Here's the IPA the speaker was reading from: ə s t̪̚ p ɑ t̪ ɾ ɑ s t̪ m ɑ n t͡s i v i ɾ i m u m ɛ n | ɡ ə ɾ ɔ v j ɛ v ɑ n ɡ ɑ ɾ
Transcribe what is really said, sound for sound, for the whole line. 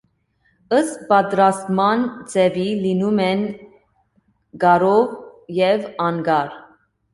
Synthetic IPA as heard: ə s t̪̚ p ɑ t̪ ɾ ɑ s t̪ m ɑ n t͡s ɛ v i l i n u m ɛ n | ɡ ɑ ɾ ɔ v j ɛ v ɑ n ɡ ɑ ɾ